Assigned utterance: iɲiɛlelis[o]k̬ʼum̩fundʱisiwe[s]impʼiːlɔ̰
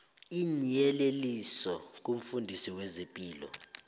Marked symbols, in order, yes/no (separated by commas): no, no